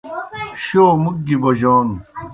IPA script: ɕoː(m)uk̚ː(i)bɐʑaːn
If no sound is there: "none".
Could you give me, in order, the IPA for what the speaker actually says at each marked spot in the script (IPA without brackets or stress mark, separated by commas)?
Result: m, i